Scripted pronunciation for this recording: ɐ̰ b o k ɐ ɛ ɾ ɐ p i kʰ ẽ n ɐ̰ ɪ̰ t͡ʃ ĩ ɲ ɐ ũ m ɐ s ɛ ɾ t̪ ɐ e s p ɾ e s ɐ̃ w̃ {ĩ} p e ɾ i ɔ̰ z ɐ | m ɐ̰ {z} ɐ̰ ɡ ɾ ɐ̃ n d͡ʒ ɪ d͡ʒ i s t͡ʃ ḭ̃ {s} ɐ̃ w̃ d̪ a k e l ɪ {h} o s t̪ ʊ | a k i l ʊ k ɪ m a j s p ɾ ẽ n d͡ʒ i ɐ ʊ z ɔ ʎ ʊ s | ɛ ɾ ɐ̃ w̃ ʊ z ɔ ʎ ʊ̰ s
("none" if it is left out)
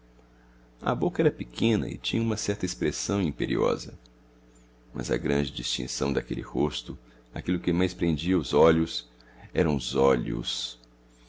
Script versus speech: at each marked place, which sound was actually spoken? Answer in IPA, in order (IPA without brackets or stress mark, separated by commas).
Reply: ĩ, z, s, h